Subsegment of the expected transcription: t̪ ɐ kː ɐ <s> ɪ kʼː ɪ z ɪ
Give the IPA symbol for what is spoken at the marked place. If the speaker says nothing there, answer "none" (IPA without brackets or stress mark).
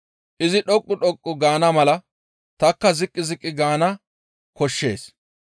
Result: z